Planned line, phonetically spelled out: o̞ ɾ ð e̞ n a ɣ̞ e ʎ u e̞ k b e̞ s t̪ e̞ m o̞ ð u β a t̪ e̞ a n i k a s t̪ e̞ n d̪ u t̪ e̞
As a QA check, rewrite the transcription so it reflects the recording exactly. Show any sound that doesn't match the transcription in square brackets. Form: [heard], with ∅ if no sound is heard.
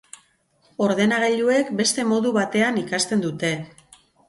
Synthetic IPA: o̞ ɾ ð e̞ n a ɣ̞ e ʎ u e̞ k b e̞ s t̪ e̞ m o̞ ð u β a t̪ e̞ a n i k a s t̪ e̞ n d̪ u t̪ e̞